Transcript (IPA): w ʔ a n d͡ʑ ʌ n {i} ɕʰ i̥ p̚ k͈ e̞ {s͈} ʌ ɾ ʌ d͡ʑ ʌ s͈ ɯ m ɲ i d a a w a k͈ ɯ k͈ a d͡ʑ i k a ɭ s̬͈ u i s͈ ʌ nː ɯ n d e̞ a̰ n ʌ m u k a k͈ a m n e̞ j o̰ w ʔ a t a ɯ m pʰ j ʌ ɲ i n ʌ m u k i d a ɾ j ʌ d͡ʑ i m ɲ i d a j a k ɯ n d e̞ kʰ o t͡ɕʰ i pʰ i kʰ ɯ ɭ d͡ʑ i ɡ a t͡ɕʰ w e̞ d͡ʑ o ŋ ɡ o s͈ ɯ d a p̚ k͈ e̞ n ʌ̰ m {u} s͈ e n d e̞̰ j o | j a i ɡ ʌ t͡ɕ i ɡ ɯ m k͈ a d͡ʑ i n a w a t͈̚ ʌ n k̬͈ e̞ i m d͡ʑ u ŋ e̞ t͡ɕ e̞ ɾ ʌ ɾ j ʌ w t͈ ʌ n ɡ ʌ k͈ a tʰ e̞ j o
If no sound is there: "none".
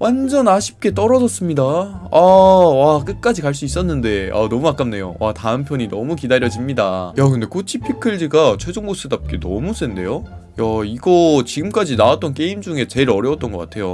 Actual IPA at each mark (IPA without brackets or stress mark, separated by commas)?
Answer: a, t͈, u